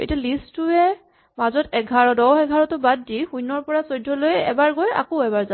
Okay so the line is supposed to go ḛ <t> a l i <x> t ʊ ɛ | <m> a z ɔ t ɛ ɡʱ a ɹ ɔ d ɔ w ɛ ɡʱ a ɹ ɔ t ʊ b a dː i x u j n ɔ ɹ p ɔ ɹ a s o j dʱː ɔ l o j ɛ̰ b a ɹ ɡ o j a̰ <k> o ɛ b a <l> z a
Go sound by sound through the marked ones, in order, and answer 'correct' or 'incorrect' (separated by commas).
correct, incorrect, correct, correct, incorrect